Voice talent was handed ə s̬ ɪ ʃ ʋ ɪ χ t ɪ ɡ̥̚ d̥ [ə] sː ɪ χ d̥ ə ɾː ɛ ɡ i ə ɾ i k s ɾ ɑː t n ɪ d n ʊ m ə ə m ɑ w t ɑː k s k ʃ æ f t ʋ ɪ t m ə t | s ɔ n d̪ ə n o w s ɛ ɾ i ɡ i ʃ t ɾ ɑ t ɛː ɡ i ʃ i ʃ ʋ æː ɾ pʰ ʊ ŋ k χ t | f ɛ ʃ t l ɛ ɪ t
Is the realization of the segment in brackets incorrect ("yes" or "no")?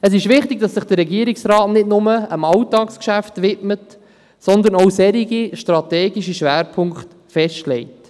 yes